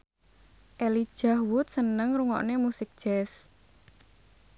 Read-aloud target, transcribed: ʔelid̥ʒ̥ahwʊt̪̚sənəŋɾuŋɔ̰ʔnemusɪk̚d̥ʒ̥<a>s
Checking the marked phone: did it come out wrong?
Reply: yes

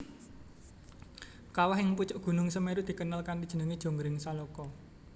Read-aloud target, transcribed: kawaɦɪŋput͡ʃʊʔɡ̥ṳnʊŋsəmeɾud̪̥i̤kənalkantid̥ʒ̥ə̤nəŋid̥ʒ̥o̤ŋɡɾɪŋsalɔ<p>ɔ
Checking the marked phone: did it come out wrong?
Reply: yes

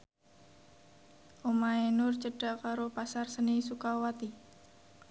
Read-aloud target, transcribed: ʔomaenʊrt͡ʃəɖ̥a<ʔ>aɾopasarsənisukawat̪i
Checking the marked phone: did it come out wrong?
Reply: yes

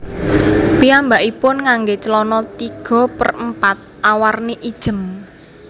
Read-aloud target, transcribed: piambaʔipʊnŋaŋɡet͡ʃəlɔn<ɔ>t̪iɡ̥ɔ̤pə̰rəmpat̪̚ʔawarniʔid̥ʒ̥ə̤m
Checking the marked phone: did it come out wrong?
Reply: no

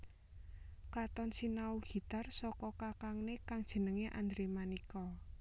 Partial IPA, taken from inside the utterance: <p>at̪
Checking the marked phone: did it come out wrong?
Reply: yes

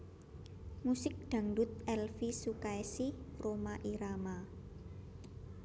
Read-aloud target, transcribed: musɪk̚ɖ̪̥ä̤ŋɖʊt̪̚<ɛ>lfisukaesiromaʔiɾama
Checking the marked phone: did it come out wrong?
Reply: no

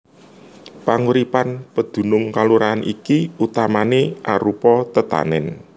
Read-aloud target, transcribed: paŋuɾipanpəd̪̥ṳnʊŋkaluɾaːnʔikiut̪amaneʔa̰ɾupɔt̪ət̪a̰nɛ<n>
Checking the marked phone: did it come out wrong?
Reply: no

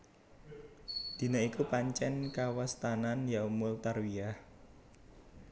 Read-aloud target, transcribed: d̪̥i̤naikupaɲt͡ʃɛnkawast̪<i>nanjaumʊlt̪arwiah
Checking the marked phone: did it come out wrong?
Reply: yes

